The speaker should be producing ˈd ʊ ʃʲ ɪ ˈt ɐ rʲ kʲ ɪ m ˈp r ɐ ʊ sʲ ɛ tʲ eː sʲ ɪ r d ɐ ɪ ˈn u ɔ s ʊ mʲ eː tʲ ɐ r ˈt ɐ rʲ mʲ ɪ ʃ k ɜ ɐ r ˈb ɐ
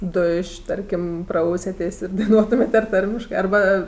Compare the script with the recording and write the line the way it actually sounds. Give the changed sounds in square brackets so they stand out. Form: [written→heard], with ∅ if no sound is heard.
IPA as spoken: ˈd ʊ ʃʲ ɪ ˈt ɐ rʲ kʲ ɪ m ˈp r ɐ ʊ sʲ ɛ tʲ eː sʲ ɪ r d ɐ ɪ ˈn u ɔ [s→t] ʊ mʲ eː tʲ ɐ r ˈt ɐ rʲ mʲ ɪ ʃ k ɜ ɐ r ˈb ɐ